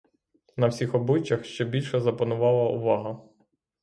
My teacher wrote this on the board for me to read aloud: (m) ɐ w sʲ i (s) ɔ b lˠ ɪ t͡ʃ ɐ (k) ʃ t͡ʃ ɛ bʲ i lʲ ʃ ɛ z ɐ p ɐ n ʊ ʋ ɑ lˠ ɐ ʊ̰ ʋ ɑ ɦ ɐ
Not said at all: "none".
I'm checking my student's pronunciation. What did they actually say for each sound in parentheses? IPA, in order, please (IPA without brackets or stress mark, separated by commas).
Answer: n, x, x